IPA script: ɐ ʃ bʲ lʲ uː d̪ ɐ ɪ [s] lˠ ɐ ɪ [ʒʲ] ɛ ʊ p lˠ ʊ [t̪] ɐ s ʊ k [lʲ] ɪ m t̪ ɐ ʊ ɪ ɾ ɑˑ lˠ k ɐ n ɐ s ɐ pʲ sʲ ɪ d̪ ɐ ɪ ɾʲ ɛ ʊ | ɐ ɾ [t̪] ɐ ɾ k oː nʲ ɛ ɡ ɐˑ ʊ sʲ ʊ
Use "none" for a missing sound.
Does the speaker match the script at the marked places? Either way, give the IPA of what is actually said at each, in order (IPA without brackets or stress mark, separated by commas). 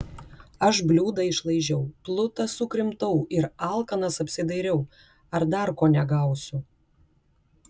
ʃ, ʒʲ, t̪, ɾʲ, d̪